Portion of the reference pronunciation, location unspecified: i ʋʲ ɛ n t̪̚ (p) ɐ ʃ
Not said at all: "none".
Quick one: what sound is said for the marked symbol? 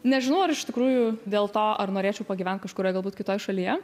k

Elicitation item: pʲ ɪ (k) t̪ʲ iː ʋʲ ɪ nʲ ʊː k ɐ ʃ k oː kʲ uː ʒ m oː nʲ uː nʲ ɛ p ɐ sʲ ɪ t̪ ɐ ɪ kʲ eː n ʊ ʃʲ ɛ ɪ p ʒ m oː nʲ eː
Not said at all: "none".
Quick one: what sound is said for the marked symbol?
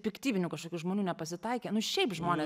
k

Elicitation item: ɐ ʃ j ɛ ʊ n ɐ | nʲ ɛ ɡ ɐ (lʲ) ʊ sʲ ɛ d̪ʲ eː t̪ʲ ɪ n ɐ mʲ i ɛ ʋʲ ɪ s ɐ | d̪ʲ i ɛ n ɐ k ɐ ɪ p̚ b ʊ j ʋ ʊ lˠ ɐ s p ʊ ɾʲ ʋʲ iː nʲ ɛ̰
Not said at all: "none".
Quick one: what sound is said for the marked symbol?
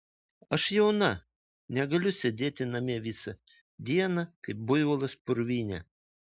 lʲ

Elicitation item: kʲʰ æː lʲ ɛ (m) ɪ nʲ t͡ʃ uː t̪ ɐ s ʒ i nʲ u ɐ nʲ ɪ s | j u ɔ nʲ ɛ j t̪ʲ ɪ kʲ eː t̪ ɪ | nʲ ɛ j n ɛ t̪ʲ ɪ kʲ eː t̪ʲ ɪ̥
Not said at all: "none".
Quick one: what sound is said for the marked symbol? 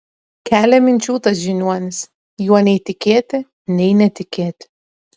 m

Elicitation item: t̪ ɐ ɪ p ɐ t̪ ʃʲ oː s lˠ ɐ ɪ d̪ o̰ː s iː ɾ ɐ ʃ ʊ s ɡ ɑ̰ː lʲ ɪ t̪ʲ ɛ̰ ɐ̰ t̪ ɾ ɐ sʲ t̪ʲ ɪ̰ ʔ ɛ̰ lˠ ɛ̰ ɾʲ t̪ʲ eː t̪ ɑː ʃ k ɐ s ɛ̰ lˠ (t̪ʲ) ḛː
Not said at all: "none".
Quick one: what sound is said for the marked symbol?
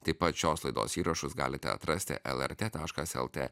t̪ʲ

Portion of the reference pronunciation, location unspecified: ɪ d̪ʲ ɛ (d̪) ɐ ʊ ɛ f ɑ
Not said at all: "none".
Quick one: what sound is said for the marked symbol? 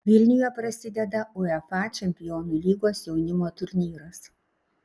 d̪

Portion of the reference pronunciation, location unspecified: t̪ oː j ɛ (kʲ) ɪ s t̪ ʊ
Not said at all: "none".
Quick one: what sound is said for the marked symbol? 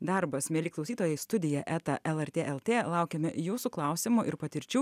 none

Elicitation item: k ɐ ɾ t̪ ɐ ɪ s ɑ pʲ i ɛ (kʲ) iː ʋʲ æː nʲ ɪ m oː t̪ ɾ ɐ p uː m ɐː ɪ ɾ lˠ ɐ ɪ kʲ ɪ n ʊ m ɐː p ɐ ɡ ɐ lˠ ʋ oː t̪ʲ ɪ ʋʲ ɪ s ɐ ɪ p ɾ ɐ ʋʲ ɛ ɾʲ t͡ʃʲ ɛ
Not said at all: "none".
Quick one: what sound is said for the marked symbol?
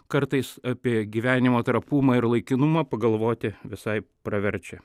ɡʲ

